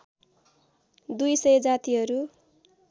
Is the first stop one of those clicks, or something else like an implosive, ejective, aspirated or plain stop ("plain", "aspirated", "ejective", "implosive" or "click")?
plain